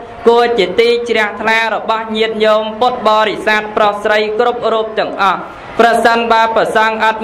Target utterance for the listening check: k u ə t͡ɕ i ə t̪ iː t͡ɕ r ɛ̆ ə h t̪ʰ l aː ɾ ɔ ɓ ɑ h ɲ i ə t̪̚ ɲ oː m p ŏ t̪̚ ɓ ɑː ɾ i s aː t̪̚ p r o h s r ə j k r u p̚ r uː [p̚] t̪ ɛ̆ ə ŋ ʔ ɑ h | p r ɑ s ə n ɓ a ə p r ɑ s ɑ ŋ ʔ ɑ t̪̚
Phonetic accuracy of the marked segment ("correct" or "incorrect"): correct